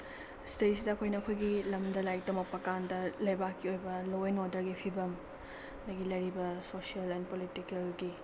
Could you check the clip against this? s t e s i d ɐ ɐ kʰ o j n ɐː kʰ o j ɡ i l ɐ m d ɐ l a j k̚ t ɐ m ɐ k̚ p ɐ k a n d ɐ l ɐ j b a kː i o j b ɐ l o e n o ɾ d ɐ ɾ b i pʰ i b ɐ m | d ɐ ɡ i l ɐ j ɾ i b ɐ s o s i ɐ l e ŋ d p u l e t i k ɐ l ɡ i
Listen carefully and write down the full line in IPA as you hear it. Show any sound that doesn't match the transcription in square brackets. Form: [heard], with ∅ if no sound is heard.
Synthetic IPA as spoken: s t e s i d ɐ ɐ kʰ o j n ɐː kʰ o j ɡ i l ɐ m d ɐ l a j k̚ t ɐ m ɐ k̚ p ɐ k a n d ɐ l ɐ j b a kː i o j b ɐ l o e n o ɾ d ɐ ɾ [ɡ] i pʰ i b ɐ m | d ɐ ɡ i l ɐ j ɾ i b ɐ s o s i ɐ l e [n] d p [o] l [i] t i k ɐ l ɡ i